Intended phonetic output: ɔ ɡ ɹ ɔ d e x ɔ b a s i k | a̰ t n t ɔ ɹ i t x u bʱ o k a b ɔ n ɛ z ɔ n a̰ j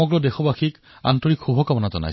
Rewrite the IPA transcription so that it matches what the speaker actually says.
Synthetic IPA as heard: ɔ ɡ ɹ ɔ d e x ɔ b a x i k | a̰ n t ɔ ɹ i k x u bʱ ɔ k a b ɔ n a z ɔ n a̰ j